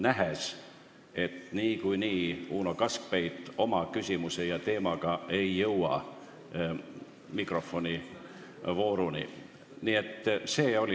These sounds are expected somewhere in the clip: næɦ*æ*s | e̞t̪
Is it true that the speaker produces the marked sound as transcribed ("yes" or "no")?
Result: no